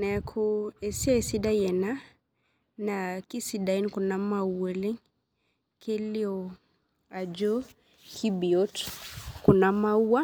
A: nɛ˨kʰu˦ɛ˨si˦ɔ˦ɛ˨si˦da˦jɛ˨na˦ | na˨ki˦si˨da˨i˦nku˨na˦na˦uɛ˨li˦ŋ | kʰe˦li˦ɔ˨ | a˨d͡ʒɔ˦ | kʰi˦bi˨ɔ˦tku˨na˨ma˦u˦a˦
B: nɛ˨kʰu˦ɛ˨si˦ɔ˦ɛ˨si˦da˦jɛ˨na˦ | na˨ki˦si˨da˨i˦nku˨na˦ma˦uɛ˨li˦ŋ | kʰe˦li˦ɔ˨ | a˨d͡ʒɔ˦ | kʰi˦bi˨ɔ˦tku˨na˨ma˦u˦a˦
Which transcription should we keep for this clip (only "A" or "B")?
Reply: B